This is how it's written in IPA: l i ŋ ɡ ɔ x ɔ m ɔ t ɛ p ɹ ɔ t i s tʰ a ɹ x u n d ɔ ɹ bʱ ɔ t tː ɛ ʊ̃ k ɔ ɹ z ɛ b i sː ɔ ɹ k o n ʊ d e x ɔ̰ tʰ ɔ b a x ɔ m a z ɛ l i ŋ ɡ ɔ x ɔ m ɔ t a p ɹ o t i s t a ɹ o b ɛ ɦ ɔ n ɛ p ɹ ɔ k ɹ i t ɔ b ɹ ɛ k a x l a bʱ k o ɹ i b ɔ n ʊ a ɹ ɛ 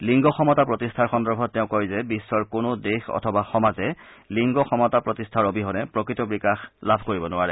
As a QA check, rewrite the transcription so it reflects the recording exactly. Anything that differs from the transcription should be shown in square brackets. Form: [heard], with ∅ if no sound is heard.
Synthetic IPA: l i ŋ ɡ ɔ x ɔ m ɔ t [a] p ɹ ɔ t i s tʰ a ɹ x [ɔ] n d ɔ ɹ bʱ ɔ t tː ɛ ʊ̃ k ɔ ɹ z ɛ b i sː ɔ ɹ k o n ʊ d e x ɔ̰ tʰ ɔ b a x ɔ m a z ɛ l i ŋ ɡ ɔ x ɔ m ɔ t a p ɹ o t i s [tʰ] a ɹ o b [i] ɦ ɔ n ɛ p ɹ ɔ k ɹ i t ɔ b ɹ [i] k a x l a bʱ k o ɹ i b ɔ n ʊ a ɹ ɛ